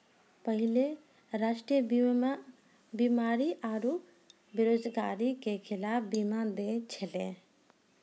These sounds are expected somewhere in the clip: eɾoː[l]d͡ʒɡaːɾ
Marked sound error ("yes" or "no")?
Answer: yes